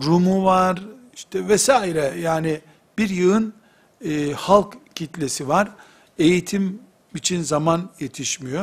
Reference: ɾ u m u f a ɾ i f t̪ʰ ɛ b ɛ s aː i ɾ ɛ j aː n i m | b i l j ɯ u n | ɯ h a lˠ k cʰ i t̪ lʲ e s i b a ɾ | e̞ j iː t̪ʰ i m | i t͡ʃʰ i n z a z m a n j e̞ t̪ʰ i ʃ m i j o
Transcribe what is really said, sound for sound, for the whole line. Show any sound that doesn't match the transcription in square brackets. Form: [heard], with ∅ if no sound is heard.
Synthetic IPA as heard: ɾ u m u [v] a ɾ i [ʃ] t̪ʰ ɛ [v] ɛ s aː i ɾ ɛ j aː n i [∅] | b i [ɾ] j ɯ [ɯ] n | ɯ h a lˠ k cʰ i t̪ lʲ e s i [v] a ɾ | e̞ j [i] t̪ʰ i m | i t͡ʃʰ i n z a [∅] m a n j e̞ t̪ʰ i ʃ m i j o